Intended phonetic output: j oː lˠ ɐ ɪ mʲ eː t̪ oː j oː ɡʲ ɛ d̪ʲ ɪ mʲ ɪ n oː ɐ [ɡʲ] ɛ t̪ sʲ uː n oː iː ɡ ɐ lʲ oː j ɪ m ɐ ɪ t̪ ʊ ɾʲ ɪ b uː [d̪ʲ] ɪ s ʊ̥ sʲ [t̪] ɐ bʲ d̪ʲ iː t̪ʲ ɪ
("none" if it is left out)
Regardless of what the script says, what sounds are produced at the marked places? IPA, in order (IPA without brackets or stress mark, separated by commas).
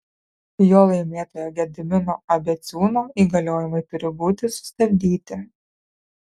bʲ, t̪ʲ, t̪